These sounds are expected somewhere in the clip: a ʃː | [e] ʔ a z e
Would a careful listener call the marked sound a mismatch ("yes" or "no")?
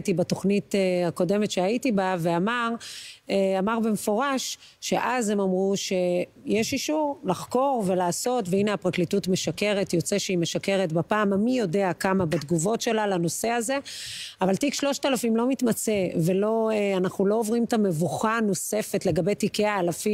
no